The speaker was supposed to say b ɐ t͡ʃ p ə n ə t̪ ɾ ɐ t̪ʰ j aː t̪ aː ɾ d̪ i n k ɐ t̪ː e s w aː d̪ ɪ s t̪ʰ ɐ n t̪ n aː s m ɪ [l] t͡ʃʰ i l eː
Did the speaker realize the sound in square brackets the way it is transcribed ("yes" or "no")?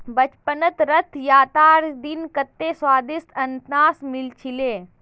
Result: yes